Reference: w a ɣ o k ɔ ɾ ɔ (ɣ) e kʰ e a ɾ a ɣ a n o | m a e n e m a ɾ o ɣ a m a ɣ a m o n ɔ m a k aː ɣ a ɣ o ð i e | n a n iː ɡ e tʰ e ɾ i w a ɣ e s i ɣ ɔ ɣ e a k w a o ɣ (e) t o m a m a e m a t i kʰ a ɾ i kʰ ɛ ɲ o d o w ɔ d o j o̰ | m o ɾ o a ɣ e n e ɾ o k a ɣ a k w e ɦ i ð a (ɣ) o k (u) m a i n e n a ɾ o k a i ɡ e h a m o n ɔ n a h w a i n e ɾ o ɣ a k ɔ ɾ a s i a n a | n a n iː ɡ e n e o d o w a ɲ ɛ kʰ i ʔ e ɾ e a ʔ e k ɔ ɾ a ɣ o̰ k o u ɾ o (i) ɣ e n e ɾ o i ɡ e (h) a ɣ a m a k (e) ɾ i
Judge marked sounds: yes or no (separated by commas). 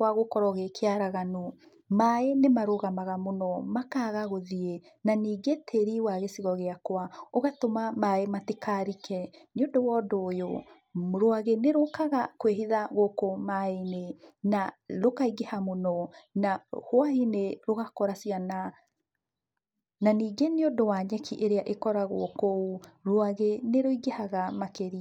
yes, no, yes, no, no, yes, yes